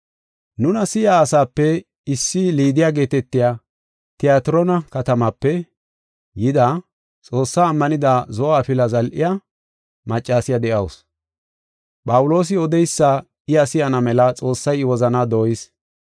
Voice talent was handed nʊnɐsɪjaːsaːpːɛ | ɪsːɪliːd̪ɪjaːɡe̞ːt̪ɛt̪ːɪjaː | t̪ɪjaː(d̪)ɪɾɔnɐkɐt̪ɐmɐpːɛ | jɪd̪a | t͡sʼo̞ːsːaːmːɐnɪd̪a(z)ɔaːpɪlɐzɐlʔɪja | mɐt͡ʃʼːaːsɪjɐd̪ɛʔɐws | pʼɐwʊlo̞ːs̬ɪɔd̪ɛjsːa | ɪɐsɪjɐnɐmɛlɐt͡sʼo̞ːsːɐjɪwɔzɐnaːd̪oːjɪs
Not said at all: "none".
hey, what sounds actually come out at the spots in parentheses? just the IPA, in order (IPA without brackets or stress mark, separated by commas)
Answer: t̪, z